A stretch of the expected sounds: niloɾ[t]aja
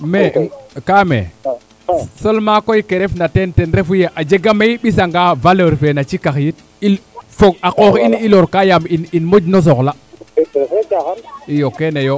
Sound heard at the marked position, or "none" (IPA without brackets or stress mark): k